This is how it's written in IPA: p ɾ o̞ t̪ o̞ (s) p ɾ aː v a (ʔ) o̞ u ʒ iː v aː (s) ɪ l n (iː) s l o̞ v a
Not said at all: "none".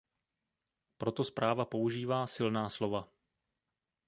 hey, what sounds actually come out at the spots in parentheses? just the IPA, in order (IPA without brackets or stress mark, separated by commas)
s, p, s, aː